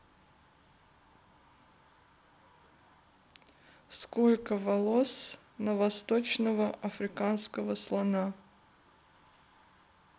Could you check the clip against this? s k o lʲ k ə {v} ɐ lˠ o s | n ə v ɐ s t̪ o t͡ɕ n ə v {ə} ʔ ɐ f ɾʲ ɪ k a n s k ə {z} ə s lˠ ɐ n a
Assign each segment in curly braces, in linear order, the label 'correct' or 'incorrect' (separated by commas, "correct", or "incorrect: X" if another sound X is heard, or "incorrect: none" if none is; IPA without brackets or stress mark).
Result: correct, correct, incorrect: v